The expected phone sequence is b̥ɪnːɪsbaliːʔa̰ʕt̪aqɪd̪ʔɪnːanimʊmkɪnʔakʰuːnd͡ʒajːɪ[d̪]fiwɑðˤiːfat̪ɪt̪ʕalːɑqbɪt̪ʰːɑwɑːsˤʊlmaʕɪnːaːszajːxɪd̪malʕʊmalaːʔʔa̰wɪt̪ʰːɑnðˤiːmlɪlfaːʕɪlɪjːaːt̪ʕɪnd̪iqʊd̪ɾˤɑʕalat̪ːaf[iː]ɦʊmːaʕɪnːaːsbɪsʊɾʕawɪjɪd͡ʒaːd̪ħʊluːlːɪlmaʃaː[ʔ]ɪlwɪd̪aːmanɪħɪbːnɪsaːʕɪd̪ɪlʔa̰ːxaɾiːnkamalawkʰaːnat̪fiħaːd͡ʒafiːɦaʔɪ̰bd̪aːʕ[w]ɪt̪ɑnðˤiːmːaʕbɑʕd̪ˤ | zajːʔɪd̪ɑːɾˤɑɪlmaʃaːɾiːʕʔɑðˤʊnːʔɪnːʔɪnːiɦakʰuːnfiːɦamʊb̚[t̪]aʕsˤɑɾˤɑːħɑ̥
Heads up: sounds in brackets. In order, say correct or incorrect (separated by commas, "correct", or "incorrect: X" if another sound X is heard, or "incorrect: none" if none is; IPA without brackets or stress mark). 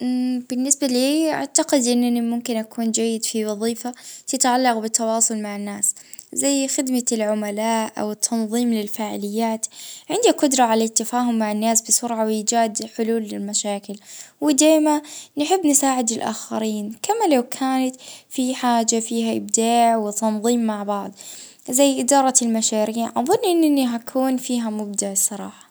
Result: correct, incorrect: aː, incorrect: k, correct, incorrect: d̪